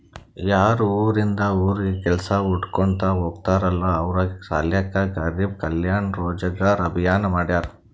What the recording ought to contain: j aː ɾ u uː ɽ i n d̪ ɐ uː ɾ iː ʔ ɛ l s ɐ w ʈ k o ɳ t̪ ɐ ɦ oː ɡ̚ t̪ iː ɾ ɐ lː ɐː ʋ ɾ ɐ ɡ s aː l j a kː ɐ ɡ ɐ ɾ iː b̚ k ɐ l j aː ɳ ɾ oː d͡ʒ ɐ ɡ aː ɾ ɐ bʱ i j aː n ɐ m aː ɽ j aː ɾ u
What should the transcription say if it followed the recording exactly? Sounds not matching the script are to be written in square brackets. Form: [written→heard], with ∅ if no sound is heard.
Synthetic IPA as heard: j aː ɾ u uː [ɽ→ɾ] i n d̪ ɐ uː ɾ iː [ʔ→k] ɛ l s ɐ [w→u] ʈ k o ɳ t̪ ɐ ɦ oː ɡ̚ t̪ [iː→aː] ɾ ɐ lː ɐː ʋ ɾ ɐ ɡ s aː l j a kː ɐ ɡ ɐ ɾ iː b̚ k ɐ l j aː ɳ ɾ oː d͡ʒ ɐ ɡ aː ɾ ɐ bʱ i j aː n ɐ m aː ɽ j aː ɾ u